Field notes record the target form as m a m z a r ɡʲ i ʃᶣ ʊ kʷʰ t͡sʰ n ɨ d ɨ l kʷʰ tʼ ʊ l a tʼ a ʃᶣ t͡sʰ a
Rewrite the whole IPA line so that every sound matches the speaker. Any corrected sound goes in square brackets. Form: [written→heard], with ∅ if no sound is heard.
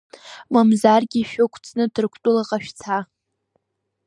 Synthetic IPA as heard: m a m z a r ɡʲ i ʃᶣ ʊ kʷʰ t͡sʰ n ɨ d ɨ [l→r] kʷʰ tʼ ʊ l a [tʼ→qʼ] a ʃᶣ t͡sʰ a

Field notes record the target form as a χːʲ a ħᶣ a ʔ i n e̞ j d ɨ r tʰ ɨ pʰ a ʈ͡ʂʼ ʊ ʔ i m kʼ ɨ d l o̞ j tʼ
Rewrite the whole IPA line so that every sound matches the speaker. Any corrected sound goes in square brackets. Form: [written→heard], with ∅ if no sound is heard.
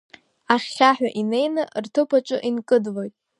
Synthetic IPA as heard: a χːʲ a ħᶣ a ʔ i n e̞ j [d→n] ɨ r tʰ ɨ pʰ a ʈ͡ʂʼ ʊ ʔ i [m→n] kʼ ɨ d l o̞ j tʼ

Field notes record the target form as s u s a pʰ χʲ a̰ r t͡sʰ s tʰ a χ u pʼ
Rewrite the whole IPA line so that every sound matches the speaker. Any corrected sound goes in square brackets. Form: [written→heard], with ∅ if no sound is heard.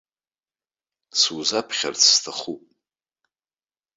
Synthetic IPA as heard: s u [s→z] a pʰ χʲ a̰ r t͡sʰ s tʰ a χ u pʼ

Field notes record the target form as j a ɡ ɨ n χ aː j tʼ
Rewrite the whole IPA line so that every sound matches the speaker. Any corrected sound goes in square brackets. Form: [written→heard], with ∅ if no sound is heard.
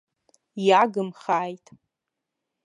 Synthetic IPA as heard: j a ɡ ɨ [n→m] χ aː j tʼ

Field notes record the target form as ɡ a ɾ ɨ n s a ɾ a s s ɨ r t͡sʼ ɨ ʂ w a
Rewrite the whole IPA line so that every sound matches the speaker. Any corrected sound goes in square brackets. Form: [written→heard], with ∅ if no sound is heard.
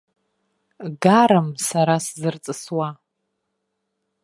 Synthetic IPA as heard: ɡ a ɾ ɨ [n→m] s a ɾ a s [s→z] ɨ r t͡sʼ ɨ [ʂ→s] w a

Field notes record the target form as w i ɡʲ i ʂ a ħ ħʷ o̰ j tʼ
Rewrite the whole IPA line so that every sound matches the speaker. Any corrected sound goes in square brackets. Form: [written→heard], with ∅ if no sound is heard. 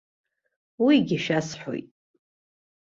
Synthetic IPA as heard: w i ɡʲ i [ʂ→ʃ] a [ħ→s] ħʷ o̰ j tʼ

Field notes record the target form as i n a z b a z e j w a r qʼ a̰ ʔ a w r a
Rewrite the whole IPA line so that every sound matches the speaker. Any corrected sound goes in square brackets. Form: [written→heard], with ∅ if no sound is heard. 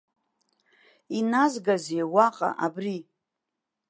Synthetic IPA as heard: i n a z [b→ɡ] a z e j w a [r→∅] qʼ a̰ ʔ a [w→b] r [a→i]

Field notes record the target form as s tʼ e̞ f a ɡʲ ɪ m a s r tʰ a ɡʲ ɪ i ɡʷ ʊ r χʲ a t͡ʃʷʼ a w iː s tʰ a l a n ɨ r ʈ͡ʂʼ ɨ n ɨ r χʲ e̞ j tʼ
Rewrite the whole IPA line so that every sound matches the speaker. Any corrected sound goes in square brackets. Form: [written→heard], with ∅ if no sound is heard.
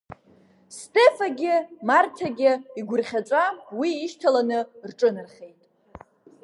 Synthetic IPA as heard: s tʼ e̞ f a ɡʲ ɪ m a [s→∅] r tʰ a ɡʲ ɪ i ɡʷ ʊ r χʲ a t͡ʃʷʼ a w iː [s→ʃ] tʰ a l a n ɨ r ʈ͡ʂʼ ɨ n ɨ r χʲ e̞ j tʼ

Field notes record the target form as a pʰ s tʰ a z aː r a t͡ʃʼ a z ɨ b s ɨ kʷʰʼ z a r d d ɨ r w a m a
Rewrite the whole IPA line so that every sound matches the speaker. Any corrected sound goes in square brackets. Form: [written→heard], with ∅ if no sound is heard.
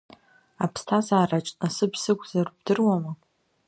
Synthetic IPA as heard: a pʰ s tʰ a z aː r a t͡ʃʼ a [z→s] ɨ b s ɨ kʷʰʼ z a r [d→b] d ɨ r w a m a

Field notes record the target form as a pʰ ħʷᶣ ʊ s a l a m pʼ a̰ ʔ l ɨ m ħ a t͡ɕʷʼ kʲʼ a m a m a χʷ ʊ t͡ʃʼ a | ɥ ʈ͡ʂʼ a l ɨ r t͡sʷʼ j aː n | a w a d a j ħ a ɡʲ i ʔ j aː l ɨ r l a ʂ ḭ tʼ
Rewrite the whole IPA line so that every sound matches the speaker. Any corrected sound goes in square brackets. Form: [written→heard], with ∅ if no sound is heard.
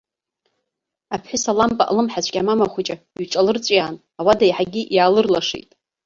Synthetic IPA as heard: a pʰ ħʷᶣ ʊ s a l a m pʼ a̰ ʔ l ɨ m ħ a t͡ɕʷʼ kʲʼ a m a m a χʷ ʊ t͡ʃʼ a | ɥ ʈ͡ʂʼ a l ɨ r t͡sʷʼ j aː n | a w a d a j ħ a ɡʲ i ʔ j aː l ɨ r l a ʂ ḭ tʼ

